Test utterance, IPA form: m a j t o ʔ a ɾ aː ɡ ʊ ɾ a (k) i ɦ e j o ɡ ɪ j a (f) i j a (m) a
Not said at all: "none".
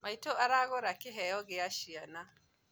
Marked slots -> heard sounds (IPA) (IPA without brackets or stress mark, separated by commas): k, ʃ, n